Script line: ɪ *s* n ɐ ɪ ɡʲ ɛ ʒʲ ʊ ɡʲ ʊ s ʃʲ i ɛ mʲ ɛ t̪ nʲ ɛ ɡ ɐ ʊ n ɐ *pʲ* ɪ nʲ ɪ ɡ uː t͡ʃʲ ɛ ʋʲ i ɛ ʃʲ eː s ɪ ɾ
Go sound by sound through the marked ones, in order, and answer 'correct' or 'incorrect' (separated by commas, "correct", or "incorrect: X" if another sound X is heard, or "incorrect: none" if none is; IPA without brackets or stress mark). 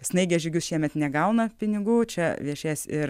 correct, correct